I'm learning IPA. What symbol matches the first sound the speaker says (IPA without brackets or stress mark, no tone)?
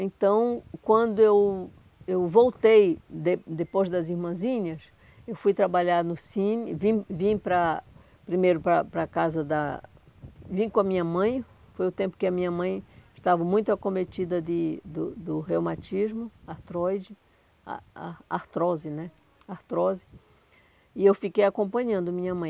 ẽ